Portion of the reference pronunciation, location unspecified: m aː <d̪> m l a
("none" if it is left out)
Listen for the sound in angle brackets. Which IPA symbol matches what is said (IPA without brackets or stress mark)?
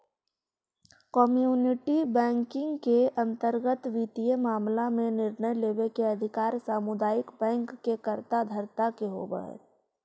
none